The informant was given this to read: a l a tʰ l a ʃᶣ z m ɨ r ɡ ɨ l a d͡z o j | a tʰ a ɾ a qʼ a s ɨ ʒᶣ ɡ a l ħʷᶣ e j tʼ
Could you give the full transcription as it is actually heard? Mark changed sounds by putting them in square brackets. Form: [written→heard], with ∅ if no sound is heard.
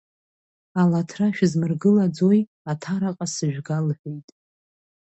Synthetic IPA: a l a tʰ [l→r] a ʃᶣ z m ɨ r ɡ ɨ l a d͡z o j | a tʰ a ɾ a qʼ a s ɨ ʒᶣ ɡ a l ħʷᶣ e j tʼ